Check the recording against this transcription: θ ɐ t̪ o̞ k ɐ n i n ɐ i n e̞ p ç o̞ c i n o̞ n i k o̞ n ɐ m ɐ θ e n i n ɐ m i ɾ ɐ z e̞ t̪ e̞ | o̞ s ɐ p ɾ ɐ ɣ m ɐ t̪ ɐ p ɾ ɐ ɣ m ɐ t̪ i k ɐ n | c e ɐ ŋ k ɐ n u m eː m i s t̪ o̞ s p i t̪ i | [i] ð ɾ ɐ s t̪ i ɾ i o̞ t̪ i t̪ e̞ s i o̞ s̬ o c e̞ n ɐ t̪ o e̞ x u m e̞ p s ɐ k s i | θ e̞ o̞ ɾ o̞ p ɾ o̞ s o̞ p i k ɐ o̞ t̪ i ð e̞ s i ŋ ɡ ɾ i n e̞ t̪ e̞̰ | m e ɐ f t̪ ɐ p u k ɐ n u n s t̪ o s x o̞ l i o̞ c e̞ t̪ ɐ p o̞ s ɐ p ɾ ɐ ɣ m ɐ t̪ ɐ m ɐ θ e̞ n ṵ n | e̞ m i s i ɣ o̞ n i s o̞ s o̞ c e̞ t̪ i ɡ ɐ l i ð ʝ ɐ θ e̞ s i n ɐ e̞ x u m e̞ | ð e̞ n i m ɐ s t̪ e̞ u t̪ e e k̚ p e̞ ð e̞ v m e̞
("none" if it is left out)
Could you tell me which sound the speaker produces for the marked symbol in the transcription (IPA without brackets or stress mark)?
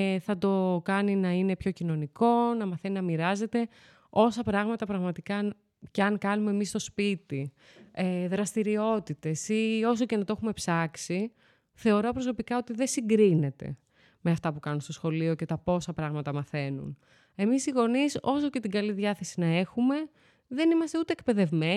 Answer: e